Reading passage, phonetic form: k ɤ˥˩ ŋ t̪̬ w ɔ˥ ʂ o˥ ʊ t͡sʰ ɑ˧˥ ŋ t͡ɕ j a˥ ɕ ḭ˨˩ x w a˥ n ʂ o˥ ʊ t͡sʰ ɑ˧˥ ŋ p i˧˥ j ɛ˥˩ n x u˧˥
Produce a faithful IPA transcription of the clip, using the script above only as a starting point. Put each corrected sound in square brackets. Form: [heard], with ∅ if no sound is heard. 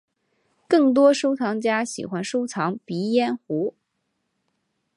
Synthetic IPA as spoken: k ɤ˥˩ ŋ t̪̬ w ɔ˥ ʂ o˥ ʊ t͡sʰ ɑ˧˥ ŋ t͡ɕ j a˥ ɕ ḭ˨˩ x w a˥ n ʂ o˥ ʊ t͡sʰ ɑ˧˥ ŋ p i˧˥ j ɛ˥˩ n x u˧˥